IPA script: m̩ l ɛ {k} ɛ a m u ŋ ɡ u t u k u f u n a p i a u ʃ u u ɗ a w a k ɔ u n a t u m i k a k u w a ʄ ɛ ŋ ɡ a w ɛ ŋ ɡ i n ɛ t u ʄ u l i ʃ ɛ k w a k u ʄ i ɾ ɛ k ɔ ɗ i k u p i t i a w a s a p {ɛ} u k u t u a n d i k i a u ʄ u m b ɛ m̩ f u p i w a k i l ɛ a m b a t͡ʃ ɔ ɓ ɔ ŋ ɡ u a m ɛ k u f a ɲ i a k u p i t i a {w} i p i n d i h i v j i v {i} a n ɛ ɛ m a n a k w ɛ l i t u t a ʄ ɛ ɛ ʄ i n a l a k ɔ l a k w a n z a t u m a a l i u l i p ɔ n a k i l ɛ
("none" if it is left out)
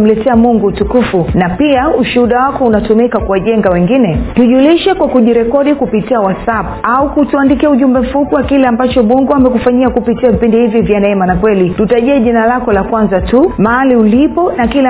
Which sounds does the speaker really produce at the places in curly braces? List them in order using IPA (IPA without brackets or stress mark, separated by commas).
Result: t, a, v, j